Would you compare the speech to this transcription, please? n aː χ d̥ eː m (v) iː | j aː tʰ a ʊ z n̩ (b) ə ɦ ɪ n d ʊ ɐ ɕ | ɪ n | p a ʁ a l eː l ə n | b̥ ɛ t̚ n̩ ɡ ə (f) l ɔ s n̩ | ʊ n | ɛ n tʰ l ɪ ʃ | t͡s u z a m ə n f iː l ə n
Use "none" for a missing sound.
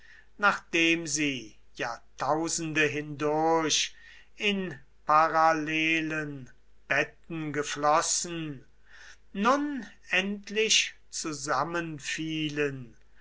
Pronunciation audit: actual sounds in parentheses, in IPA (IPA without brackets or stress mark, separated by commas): z, d, f